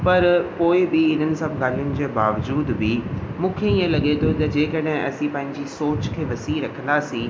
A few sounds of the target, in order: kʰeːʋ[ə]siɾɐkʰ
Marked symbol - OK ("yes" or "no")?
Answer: no